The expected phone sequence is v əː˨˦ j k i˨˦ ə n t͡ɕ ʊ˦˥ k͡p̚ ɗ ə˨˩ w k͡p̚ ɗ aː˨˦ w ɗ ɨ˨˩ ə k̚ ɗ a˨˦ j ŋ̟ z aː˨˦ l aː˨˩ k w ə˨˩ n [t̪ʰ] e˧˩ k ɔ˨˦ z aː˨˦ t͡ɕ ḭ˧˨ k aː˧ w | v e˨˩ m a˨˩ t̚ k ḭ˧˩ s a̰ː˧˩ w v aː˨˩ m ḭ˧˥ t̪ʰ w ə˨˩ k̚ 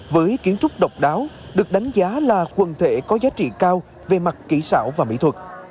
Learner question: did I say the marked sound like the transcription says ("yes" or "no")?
yes